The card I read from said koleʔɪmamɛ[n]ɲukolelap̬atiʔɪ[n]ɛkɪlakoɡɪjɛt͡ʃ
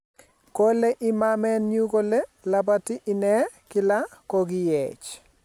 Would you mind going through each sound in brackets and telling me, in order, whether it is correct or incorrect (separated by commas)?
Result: correct, correct